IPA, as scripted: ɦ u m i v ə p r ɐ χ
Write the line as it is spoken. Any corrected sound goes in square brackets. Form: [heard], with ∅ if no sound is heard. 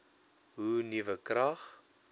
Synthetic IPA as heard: ɦ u [n] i v ə [k] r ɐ χ